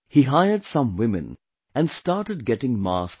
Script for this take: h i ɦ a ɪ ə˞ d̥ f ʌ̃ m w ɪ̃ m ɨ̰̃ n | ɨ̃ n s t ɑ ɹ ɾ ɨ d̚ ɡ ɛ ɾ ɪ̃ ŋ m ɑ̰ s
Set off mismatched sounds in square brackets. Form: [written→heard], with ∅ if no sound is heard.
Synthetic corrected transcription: h i ɦ a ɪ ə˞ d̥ [f→s] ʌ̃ m w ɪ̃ m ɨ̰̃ n | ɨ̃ n s t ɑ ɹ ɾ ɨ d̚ ɡ ɛ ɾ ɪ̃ ŋ m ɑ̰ s

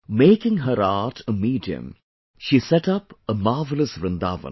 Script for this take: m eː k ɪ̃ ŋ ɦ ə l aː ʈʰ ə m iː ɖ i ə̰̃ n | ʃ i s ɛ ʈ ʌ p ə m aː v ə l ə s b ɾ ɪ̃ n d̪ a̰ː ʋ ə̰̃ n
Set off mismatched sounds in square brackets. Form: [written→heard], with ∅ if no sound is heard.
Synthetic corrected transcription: m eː k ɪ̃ ŋ ɦ ə [l→ɾ] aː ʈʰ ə m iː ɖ i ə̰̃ [n→m] | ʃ i s ɛ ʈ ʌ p ə m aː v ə l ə s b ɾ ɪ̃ n d̪ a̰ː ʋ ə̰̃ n

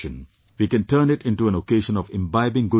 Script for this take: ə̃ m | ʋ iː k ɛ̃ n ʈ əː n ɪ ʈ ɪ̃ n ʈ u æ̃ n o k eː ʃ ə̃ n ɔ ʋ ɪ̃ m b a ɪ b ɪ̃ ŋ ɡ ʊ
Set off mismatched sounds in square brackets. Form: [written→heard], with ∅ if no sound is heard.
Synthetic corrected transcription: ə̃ [m→n] | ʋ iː k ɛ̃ n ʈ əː n ɪ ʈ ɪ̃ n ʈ u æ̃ n o k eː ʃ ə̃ n ɔ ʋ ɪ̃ m b a ɪ b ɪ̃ ŋ ɡ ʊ

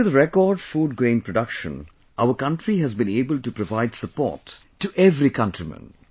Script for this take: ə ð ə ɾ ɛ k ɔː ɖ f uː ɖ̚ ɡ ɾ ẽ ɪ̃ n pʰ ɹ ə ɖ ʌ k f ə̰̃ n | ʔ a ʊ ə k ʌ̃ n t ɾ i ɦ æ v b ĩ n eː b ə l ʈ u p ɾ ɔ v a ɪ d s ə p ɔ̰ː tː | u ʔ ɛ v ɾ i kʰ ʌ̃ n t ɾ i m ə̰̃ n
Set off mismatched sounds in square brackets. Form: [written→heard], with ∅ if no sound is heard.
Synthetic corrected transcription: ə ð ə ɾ ɛ k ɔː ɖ f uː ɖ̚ ɡ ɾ ẽ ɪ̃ n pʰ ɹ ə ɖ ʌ k [f→ʃ] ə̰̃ n | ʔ a ʊ ə k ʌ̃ n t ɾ i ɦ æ [v→z] b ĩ n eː b ə l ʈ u p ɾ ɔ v a ɪ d s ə p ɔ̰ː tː | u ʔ ɛ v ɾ i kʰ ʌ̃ n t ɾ i m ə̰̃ n

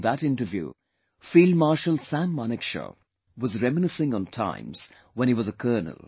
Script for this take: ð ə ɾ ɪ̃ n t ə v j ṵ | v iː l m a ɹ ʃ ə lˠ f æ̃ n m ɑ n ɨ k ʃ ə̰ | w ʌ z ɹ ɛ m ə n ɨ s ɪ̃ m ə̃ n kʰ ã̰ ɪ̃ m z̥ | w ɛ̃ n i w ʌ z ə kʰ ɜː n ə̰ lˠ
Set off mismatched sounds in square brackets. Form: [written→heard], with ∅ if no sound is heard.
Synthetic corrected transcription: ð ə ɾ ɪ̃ n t ə v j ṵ | [v→f] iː l m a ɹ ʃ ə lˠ [f→s] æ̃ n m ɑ n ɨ k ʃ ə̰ | w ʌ z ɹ ɛ m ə n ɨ s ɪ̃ [m→ŋ] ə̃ n [kʰ→tʰ] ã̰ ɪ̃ m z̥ | w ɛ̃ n i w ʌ z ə kʰ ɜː n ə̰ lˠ

